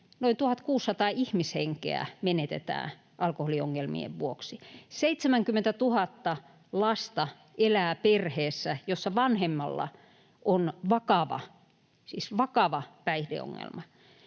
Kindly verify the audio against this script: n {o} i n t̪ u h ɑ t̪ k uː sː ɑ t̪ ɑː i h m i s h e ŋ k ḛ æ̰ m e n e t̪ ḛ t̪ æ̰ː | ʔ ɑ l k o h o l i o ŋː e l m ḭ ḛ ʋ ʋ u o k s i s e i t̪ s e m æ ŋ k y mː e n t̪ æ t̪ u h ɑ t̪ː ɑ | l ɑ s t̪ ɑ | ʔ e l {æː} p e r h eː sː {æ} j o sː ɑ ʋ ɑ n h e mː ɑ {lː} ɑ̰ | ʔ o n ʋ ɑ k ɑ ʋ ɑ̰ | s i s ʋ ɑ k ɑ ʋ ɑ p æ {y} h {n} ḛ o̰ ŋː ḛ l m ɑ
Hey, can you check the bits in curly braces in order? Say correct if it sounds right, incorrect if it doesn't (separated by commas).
correct, correct, correct, correct, incorrect, incorrect